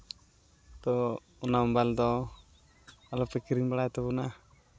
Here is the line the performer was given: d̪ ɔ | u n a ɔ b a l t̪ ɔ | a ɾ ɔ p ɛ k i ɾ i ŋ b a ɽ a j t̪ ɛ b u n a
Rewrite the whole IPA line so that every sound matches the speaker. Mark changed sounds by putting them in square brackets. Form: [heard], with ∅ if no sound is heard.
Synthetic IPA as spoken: [t̪] ɔ | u n a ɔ b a l [d̪] ɔ | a [l] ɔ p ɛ k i ɾ i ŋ b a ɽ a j t̪ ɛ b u n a